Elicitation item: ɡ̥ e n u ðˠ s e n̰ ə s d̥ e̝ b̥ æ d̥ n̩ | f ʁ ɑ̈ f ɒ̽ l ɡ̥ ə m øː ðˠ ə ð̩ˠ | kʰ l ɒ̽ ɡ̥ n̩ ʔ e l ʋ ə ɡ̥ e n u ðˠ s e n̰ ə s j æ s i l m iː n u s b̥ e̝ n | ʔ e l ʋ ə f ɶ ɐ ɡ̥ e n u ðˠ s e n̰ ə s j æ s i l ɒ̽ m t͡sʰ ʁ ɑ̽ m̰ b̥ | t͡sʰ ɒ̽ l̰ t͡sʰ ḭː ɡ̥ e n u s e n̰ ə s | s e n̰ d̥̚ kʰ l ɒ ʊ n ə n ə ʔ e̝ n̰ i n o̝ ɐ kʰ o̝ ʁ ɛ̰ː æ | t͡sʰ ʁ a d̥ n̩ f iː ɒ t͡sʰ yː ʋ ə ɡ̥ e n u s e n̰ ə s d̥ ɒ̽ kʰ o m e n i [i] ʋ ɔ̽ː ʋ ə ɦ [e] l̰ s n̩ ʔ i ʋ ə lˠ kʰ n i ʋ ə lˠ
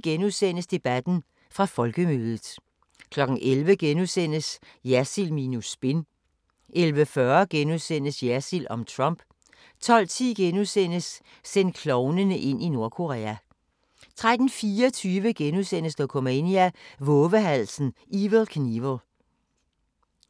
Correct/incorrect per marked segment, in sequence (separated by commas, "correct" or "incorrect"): incorrect, incorrect